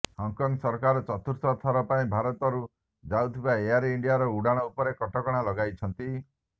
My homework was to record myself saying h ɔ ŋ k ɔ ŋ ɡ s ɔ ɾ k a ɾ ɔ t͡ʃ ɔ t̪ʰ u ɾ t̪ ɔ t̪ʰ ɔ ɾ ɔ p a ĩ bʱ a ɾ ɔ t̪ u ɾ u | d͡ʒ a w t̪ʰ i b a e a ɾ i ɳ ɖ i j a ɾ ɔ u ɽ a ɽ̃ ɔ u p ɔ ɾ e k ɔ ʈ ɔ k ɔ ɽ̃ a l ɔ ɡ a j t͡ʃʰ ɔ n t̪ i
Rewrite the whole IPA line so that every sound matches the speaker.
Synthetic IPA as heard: h ɔ ŋ k ɔ ŋ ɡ s ɔ ɾ k a ɾ ɔ t͡ʃ ɔ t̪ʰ u ɾ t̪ ɔ t̪ʰ ɔ ɾ ɔ p a ĩ bʱ a ɾ ɔ t̪ ɔ ɾ u | d͡ʒ a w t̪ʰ i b a e a ɾ i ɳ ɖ i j a ɾ ɔ u ɽ a ɽ̃ ɔ u p ɔ ɾ e k ɔ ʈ ɔ k ɔ ɽ̃ a l ɔ ɡ a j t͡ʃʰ ɔ n t̪ i